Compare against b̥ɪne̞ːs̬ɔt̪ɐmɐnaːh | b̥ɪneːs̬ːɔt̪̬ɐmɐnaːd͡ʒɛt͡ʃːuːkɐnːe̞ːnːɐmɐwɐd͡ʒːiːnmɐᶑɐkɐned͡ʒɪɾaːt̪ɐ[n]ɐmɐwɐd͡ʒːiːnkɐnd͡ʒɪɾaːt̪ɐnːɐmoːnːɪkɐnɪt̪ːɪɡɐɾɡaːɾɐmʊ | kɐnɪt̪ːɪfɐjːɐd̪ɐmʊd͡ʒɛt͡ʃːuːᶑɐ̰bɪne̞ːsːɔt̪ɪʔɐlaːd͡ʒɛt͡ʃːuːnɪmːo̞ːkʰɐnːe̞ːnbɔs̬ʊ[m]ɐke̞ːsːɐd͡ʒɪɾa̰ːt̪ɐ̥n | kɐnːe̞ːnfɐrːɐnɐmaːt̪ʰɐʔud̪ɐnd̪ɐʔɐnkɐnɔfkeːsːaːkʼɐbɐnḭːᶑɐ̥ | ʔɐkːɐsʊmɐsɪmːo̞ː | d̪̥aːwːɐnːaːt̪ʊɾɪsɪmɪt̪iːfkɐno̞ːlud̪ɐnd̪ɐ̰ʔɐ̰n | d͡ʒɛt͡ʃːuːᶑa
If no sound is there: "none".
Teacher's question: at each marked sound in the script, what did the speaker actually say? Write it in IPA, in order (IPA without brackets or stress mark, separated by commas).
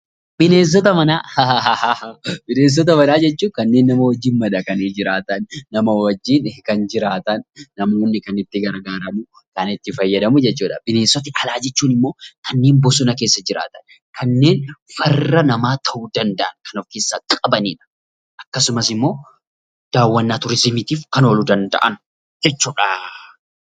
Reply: nː, n